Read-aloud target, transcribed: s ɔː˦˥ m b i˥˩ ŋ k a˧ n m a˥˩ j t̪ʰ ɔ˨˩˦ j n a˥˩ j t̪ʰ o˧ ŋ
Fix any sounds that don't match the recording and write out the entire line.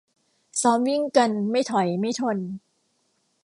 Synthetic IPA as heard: s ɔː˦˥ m w i˥˩ ŋ k a˧ n m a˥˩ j t̪ʰ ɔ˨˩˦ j m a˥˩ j t̪ʰ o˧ n